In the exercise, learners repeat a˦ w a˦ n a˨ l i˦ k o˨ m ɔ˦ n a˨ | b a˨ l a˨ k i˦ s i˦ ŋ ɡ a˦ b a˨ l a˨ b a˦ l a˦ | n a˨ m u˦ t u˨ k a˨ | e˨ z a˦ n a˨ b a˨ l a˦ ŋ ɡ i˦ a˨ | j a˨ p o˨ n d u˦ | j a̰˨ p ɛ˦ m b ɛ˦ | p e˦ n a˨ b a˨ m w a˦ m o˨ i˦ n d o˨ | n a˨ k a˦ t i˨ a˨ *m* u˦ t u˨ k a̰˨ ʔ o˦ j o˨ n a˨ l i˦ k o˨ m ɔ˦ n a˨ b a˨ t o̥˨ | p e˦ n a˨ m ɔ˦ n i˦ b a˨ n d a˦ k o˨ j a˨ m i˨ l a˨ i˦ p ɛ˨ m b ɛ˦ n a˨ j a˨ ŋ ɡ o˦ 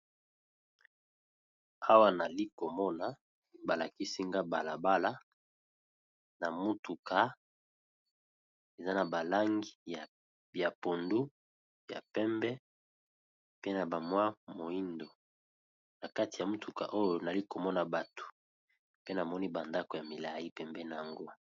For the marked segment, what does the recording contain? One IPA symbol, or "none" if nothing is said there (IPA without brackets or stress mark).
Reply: m